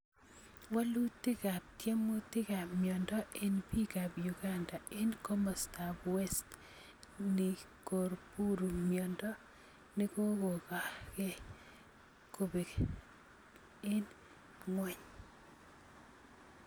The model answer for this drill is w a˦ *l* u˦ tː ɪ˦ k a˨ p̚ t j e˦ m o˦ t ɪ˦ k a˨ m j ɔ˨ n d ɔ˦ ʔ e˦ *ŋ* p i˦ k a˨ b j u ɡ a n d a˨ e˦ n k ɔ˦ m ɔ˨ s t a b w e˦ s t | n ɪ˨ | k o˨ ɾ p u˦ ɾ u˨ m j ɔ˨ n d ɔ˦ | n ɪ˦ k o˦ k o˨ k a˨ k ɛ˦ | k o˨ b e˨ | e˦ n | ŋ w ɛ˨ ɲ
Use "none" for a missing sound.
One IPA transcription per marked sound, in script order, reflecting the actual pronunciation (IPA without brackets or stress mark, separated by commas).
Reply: l, n